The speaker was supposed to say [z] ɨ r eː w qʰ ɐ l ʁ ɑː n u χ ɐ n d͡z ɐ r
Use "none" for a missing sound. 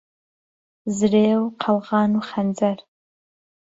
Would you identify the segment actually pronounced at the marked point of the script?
z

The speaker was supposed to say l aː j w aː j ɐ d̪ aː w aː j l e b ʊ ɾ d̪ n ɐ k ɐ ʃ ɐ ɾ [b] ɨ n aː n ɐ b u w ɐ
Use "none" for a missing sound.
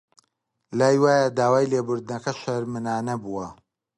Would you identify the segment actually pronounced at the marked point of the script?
m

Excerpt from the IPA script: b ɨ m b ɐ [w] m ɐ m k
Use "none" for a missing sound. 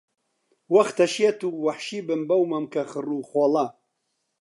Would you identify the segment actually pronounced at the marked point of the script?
w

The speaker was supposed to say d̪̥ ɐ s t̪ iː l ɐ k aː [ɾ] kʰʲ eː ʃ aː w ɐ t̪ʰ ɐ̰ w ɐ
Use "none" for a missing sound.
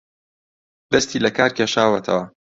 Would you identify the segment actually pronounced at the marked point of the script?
ɾ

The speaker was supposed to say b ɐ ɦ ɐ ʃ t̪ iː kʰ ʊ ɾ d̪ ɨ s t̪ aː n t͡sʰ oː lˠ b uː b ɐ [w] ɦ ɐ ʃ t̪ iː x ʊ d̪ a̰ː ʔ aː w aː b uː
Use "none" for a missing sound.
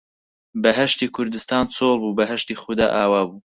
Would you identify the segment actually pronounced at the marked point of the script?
none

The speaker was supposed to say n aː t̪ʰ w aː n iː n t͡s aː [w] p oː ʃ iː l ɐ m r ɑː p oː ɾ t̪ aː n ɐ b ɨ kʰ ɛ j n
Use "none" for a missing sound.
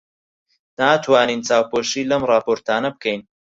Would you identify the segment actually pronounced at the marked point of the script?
w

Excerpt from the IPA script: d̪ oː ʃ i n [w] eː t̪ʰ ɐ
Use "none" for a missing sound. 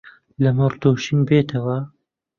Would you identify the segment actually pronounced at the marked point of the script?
b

